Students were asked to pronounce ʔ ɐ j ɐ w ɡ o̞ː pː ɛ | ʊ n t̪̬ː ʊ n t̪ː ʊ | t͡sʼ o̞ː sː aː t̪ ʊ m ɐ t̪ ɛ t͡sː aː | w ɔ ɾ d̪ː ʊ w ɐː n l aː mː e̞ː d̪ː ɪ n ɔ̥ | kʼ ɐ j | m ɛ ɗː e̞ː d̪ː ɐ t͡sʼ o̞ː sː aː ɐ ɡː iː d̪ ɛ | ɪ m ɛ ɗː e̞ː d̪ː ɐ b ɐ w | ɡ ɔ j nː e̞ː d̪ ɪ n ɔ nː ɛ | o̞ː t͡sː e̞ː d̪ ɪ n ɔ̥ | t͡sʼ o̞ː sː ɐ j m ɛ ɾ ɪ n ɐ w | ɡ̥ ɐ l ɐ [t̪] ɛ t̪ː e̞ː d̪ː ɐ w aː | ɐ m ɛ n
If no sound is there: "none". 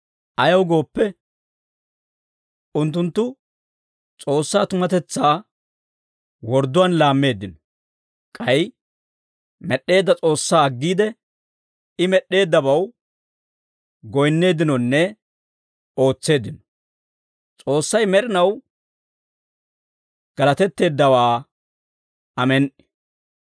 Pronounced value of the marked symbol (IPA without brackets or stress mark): t̪